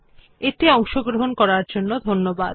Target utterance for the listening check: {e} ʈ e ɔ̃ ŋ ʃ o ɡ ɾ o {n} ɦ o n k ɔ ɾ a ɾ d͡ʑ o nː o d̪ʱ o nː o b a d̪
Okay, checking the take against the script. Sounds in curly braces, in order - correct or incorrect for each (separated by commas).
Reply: correct, incorrect